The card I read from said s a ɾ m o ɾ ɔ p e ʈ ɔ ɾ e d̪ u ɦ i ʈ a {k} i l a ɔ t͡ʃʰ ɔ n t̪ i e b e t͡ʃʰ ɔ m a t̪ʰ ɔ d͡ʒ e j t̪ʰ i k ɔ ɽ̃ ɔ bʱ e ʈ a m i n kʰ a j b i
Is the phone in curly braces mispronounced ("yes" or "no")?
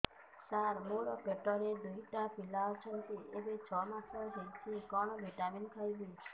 yes